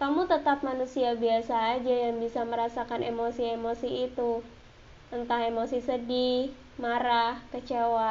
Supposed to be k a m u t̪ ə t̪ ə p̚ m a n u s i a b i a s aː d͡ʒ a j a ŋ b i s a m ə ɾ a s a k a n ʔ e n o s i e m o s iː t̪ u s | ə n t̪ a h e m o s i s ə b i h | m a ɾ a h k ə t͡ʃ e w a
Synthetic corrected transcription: k a m u t̪ ə t̪ a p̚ m a n u s i a b i a s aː d͡ʒ a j a ŋ b i s a m ə ɾ a s a k a n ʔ e m o s i e m o s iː t̪ u | ə n t̪ a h e m o s i s ə d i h | m a ɾ a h k ə t͡ʃ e w a